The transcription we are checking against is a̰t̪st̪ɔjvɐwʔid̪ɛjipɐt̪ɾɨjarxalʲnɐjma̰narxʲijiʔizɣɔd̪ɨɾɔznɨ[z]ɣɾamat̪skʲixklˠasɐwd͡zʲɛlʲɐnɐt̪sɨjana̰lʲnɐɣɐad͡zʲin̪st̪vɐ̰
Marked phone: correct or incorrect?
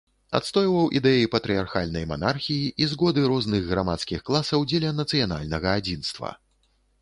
incorrect